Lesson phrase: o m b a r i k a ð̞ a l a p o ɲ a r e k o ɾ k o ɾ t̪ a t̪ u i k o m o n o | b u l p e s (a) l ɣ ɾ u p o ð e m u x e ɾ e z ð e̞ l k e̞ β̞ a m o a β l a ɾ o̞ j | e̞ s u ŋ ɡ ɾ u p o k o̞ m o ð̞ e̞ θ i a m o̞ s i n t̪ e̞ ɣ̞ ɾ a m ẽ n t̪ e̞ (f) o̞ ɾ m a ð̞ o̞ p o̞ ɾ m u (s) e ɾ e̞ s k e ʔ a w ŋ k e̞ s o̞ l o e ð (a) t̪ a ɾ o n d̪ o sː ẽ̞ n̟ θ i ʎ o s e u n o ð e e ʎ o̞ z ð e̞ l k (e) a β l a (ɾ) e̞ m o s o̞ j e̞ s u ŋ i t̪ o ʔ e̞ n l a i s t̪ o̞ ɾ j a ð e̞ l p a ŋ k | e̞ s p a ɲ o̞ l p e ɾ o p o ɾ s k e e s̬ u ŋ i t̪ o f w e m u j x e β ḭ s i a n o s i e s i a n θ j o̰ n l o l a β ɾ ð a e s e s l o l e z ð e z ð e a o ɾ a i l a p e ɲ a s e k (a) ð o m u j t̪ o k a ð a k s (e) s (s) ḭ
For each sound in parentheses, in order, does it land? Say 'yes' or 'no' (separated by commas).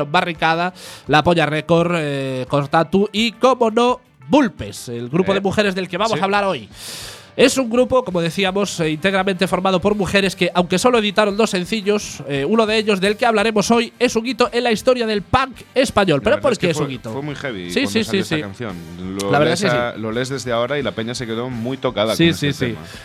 no, yes, no, no, yes, yes, no, no, yes